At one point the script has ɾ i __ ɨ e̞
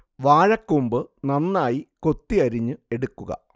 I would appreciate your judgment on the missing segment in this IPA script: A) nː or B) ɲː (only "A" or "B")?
B